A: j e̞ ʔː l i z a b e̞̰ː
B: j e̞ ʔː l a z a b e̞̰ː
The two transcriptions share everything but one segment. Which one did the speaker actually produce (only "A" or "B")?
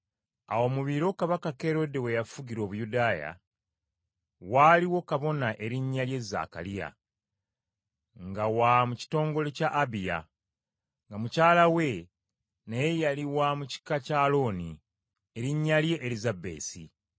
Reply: A